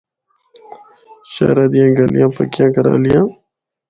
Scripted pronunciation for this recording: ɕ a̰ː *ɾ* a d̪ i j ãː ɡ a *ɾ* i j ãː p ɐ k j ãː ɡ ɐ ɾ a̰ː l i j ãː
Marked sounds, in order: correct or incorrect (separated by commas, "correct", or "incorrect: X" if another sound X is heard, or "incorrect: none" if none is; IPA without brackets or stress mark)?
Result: correct, incorrect: l